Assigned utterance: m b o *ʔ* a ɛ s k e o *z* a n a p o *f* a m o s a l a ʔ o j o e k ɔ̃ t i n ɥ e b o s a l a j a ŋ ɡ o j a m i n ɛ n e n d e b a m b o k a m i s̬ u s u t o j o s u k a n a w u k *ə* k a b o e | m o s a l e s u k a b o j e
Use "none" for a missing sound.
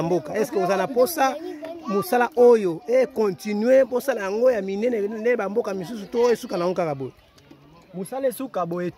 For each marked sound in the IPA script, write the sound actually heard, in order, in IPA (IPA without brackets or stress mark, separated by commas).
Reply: k, z, s, a